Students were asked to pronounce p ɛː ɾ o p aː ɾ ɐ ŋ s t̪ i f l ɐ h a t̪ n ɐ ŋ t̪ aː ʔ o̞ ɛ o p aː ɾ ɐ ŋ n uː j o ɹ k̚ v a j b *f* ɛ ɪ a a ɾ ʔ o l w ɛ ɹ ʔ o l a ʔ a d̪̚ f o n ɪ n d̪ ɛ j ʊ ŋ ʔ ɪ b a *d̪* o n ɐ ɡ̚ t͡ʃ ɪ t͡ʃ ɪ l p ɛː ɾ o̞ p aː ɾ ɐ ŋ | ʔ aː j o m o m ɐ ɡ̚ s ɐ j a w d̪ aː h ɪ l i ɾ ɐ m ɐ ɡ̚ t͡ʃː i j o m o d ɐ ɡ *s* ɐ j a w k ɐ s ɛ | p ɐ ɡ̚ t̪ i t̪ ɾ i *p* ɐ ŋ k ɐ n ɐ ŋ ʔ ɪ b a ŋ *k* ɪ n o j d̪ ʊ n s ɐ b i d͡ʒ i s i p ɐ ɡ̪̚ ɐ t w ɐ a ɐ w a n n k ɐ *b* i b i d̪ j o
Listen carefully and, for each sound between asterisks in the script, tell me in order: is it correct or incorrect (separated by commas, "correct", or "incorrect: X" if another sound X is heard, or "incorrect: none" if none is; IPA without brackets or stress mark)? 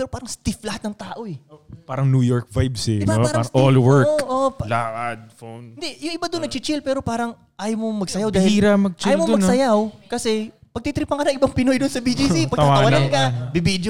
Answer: incorrect: s, correct, correct, correct, incorrect: p, correct